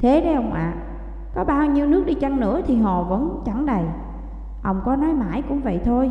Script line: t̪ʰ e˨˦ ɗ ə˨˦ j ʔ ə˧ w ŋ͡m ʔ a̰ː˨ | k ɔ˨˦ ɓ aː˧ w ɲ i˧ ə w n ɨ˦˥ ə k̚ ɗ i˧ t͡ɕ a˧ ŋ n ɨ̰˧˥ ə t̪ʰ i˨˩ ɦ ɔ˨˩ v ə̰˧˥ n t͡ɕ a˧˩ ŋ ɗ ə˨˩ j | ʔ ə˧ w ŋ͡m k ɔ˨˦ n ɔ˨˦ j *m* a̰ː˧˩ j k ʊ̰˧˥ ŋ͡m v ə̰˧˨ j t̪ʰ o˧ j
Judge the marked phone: correct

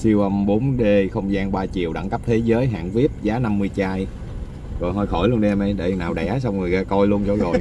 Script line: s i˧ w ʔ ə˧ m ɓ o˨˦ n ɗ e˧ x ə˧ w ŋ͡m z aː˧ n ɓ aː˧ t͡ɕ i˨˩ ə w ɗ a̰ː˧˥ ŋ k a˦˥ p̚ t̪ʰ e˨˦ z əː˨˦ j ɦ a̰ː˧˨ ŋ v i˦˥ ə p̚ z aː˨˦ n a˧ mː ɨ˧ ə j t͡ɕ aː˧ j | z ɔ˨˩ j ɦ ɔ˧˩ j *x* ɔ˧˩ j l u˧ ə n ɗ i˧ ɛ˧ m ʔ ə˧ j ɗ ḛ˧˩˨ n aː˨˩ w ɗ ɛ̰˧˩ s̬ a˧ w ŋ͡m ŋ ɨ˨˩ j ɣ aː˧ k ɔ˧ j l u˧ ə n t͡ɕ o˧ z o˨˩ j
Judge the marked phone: correct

